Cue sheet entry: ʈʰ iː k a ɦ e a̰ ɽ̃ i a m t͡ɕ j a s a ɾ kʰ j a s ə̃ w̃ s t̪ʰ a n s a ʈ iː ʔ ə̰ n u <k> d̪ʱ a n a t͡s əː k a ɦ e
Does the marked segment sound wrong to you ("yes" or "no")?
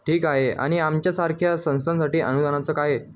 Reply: yes